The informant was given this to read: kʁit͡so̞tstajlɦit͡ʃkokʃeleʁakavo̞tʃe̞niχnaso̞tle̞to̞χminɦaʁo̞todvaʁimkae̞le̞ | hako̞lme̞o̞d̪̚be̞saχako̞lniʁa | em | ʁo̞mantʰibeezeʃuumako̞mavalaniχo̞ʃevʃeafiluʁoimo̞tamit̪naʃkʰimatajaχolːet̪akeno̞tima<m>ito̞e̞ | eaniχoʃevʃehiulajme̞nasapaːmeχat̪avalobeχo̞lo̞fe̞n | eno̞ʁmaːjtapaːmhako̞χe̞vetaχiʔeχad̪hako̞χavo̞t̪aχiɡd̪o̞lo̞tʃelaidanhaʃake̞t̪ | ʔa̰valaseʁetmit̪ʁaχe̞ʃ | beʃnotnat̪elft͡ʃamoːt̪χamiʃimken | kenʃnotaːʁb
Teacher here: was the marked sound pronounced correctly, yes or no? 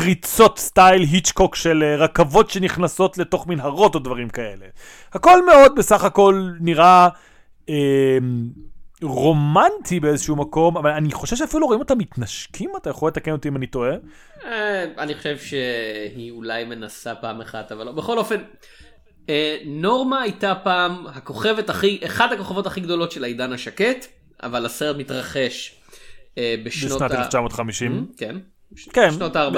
no